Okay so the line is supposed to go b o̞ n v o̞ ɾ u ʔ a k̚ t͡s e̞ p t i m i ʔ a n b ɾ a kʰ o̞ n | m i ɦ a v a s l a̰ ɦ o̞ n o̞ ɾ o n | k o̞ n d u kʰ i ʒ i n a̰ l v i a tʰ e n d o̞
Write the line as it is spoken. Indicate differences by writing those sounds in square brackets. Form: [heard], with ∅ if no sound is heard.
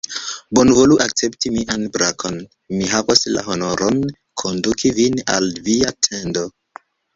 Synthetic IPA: b o̞ n v o̞ [l] u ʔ a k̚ t͡s e̞ p t i m i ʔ a n b ɾ a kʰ o̞ n | m i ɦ a v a s l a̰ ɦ o̞ n o̞ ɾ o n | [kʰ] o̞ n d u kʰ i [v] i n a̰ l v i a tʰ e n d o̞